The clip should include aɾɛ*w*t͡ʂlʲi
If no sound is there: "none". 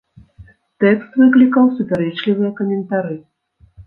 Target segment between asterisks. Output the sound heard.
none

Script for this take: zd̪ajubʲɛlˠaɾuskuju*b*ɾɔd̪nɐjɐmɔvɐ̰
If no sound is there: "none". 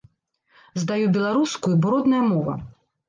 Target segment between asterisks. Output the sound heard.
b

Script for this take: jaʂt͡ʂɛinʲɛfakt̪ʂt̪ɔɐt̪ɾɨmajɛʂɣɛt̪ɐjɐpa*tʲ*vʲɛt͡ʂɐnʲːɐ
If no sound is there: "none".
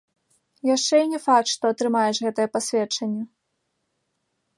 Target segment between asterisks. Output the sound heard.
sʲ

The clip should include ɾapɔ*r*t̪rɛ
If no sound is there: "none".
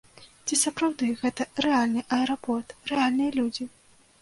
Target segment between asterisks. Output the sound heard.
r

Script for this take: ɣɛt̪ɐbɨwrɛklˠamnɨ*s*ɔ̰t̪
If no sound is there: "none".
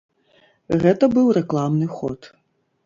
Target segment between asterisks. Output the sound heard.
x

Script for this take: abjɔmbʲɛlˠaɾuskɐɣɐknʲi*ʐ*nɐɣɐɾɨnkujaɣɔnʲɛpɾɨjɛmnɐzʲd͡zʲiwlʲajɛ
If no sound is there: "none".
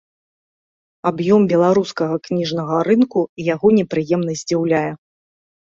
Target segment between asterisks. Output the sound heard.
ʐ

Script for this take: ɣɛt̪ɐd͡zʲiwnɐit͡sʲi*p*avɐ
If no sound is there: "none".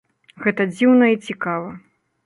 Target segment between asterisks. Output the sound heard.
k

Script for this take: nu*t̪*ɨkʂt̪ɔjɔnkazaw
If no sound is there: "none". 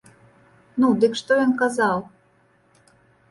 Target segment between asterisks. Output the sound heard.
d̪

